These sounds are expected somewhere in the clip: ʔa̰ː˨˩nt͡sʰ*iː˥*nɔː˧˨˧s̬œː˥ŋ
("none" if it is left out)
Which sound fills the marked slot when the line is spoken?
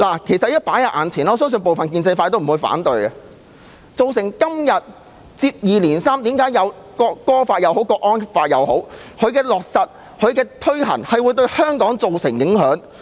iː˨˩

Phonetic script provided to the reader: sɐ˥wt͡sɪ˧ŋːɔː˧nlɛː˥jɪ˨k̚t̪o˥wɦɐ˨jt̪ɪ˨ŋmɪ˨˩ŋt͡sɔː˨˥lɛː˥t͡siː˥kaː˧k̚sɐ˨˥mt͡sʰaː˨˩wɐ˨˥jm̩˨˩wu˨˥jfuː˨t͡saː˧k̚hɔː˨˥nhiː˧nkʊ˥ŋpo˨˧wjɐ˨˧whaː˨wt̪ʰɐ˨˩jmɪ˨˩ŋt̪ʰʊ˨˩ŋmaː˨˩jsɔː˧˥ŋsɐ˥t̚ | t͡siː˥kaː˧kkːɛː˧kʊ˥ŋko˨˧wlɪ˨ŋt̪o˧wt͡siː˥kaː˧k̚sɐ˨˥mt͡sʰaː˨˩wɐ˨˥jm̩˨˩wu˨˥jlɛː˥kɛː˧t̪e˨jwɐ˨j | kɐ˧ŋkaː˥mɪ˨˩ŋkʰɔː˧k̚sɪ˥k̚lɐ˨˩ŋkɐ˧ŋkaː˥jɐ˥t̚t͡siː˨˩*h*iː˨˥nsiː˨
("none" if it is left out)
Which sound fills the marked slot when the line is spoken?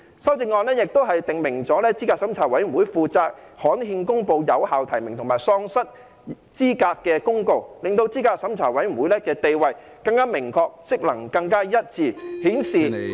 h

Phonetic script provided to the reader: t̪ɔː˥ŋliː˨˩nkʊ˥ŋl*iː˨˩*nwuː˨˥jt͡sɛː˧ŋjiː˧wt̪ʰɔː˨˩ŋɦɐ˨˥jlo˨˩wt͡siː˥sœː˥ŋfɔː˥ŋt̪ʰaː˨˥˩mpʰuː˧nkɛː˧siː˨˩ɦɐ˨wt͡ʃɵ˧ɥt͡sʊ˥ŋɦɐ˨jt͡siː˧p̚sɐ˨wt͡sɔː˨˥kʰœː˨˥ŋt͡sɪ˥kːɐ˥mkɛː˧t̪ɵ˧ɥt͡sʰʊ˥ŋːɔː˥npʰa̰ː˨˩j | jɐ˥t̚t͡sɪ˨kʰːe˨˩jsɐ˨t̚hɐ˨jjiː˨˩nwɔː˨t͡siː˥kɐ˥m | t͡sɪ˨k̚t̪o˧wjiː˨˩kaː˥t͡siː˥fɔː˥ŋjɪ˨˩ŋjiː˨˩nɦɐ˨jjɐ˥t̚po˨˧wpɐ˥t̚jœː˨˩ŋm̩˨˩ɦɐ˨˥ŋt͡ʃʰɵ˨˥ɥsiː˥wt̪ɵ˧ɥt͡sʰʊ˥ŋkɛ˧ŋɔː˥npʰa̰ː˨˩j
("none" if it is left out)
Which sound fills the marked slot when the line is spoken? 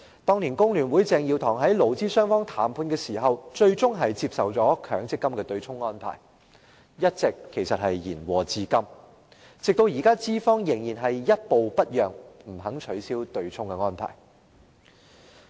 yː˨˩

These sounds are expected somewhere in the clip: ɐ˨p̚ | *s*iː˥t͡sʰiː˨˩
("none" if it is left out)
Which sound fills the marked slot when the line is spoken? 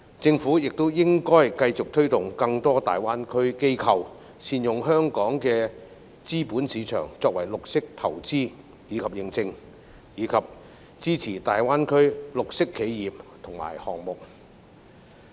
t͡s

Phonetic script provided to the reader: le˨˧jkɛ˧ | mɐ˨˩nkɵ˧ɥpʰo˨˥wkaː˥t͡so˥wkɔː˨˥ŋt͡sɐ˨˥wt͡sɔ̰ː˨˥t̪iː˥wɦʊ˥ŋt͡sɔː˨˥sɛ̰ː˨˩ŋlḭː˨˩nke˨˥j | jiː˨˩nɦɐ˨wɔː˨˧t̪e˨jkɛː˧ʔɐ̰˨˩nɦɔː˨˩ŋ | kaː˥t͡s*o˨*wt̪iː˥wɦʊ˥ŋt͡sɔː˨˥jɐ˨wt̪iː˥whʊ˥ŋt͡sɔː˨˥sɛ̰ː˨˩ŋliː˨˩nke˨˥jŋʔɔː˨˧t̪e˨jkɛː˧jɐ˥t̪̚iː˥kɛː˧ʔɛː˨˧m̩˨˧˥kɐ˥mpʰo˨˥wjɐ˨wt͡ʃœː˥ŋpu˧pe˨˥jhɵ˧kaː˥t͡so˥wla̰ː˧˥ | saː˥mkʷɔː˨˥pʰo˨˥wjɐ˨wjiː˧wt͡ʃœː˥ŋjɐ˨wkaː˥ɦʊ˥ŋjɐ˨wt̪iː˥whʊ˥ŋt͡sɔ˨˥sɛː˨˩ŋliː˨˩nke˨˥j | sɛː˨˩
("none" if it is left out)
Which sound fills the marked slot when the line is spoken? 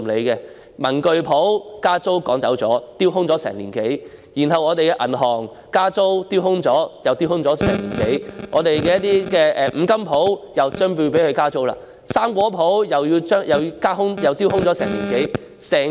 o˥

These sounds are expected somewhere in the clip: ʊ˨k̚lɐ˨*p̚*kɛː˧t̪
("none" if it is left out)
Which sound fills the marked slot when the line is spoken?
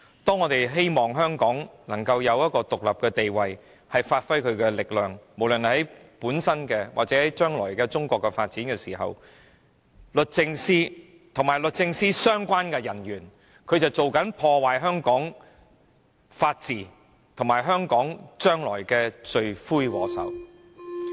p̚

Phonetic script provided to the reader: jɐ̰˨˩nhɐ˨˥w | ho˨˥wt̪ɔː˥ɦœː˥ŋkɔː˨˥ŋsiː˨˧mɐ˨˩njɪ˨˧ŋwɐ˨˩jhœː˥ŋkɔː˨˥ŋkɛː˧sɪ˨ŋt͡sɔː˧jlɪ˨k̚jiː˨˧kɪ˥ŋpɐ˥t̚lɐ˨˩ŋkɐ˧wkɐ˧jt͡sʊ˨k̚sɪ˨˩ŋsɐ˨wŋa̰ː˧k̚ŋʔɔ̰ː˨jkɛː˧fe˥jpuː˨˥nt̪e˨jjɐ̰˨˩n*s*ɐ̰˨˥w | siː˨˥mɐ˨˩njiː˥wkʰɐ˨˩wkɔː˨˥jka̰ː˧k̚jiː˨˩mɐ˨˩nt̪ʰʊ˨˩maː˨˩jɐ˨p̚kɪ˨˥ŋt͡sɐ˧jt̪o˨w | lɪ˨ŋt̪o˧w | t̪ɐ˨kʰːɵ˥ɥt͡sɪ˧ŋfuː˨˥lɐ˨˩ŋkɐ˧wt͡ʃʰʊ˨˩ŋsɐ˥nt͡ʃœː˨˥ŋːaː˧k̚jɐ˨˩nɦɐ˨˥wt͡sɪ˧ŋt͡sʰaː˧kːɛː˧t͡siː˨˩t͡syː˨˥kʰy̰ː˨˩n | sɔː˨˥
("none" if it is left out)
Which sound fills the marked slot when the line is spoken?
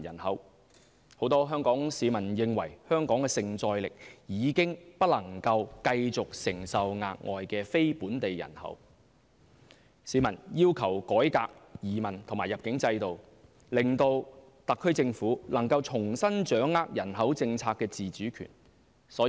h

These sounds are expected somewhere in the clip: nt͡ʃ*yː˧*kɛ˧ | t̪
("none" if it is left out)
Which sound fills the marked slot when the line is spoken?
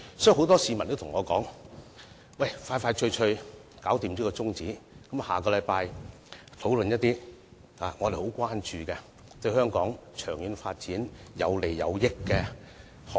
yː˧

